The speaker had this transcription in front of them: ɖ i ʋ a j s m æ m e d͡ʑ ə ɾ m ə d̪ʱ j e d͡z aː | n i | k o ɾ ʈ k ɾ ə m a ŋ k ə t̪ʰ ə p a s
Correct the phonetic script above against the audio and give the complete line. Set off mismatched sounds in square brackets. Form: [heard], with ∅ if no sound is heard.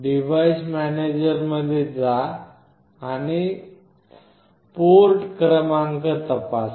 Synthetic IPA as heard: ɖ i ʋ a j s m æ [n] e d͡ʑ ə ɾ m ə d̪ʱ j e d͡z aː | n i | [p] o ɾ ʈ k ɾ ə m a ŋ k ə [t̪] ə p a s